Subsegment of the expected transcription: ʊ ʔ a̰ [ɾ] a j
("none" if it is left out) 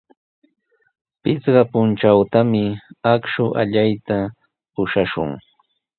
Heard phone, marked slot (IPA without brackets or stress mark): ʎ